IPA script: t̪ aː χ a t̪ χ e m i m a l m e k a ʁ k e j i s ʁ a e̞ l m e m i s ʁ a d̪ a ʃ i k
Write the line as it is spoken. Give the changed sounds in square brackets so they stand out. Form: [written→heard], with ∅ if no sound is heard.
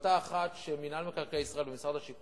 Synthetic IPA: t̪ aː χ a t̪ [χ→ʃ] e m i [m→n] a l m e k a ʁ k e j i s ʁ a e̞ l [m→b] e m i s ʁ a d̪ a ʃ i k